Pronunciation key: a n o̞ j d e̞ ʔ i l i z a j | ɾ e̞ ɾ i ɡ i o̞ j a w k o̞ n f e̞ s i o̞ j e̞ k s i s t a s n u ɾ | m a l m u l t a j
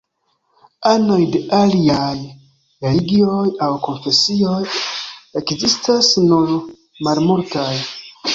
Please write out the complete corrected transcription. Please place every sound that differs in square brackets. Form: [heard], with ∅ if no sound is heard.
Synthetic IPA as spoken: a n o̞ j d e̞ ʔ [a] l i [∅] a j | ɾ e̞ [l] i ɡ i o̞ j a w k o̞ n f e̞ s i o̞ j e̞ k [z] i s t a s n u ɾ | m a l m u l t a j